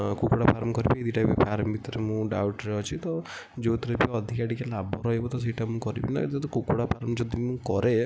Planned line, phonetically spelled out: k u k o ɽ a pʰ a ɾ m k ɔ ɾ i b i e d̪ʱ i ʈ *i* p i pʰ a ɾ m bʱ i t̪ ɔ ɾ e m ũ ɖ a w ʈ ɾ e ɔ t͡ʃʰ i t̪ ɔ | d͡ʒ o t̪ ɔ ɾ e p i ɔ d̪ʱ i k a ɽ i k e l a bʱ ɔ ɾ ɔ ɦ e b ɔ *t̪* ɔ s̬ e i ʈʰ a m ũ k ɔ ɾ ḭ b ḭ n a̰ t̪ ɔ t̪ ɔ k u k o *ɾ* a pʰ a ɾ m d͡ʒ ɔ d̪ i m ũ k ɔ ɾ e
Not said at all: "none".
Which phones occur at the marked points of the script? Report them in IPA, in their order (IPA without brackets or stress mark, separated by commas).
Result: a, t̪, ɽ